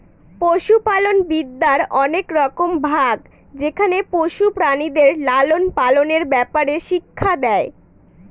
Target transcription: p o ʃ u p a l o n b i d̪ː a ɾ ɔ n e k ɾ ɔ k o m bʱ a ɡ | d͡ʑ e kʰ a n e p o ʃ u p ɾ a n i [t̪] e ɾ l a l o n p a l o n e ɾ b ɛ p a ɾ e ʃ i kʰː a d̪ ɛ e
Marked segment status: incorrect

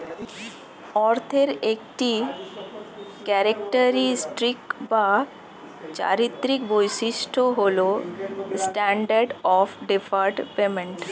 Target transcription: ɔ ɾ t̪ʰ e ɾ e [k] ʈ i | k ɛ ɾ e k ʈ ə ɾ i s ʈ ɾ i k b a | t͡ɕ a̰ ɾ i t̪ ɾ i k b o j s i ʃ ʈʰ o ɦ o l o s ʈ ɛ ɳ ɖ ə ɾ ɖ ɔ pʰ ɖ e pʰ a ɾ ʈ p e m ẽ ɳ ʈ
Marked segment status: correct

